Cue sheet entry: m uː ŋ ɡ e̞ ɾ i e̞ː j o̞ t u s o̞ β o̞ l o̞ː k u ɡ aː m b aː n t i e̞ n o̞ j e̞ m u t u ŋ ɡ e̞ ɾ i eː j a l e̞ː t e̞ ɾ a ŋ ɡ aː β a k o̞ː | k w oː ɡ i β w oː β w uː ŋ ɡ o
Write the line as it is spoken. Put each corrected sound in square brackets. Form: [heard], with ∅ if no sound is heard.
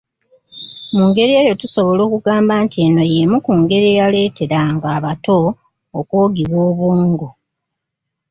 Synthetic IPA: m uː ŋ ɡ e̞ ɾ i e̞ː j o̞ t u s o̞ β o̞ l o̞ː k u ɡ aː m b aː n t i e̞ n o̞ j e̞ m u [k] u ŋ ɡ e̞ ɾ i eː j a l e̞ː t e̞ ɾ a ŋ ɡ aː β a [t] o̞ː | k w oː ɡ i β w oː β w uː ŋ ɡ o